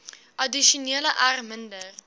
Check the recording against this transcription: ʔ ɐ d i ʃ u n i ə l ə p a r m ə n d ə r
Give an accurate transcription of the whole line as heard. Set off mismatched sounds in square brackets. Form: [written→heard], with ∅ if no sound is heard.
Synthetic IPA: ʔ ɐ d i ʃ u n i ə l ə [p→ʔ] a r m ə n d ə r